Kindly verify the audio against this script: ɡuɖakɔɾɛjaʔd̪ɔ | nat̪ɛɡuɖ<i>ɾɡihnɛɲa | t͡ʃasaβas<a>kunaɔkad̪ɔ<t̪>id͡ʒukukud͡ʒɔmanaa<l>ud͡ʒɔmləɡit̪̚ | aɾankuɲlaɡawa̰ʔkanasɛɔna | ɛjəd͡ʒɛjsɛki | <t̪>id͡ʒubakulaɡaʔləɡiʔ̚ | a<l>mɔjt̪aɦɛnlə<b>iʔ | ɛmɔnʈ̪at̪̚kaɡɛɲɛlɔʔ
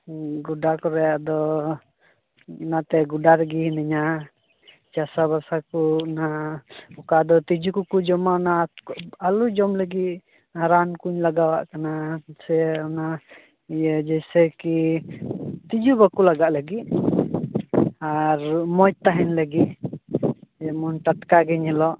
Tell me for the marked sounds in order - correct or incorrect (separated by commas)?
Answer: incorrect, correct, correct, correct, correct, incorrect, incorrect